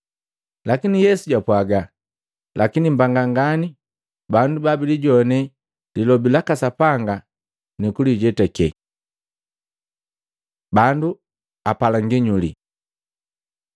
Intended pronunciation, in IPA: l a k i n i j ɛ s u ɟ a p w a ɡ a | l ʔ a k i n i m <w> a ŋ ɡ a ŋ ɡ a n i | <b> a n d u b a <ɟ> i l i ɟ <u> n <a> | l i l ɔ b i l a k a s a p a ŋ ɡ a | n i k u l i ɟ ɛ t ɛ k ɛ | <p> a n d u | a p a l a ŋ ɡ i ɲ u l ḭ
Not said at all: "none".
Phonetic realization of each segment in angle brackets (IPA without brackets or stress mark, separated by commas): b, b, b, ɔ, ɛ, b